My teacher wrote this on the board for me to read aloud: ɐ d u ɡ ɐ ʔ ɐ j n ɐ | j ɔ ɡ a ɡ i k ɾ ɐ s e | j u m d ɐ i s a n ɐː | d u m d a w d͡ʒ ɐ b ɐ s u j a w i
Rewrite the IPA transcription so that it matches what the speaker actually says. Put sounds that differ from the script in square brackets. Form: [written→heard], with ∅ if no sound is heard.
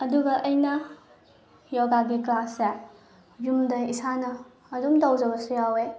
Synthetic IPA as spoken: ɐ d u ɡ ɐ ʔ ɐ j n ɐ | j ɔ ɡ a ɡ i k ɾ [ɐ→a] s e | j u m d ɐ i s a n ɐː | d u m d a w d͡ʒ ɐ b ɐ s u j a w [i→e]

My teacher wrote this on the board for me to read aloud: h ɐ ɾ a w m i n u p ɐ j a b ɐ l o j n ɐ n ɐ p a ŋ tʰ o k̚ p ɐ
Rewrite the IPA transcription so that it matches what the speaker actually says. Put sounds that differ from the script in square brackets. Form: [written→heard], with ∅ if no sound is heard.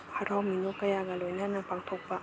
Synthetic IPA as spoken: h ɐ ɾ a w m i n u [p→k] ɐ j a [b→ɡ] ɐ l o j n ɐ n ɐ p a ŋ tʰ o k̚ p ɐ

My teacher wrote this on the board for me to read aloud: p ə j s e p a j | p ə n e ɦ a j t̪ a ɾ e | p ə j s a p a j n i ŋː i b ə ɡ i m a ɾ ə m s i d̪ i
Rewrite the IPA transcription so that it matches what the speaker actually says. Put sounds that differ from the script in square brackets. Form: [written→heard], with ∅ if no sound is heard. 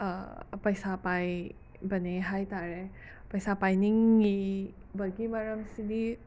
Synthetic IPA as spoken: p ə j s [e→a] p a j | [p→b] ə n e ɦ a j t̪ a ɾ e | p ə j s a p a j n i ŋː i b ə ɡ i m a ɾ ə m s i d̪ i

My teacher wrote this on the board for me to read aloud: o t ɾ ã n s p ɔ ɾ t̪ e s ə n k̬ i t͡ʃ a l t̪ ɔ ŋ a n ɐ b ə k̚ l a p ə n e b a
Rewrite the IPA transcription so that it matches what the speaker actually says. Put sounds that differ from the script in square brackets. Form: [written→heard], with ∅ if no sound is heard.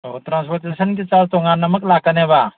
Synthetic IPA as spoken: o t ɾ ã n s p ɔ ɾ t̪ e s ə n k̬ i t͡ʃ a l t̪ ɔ ŋ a n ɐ [b→m] ə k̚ l a [p→k] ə n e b a

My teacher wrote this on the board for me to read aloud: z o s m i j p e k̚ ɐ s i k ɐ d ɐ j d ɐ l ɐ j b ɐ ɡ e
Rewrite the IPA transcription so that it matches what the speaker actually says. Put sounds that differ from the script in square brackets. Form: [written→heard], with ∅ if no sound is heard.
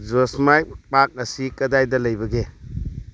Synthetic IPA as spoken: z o s m [i→a] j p [e→a] k̚ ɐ s i k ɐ d [ɐ→a] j d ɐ l ɐ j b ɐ ɡ e

